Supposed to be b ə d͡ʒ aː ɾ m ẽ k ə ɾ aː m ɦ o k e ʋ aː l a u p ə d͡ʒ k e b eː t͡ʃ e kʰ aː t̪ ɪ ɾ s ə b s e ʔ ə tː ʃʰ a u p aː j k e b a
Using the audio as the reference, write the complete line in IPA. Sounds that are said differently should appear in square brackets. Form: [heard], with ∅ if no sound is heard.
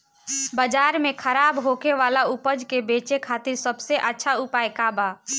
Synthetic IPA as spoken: b ə d͡ʒ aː ɾ m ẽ [kʰ] ə ɾ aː [b] ɦ o k e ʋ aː l a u p ə d͡ʒ k e b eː t͡ʃ e kʰ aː t̪ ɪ ɾ s ə b s e ʔ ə tː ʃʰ a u p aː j k [a] b a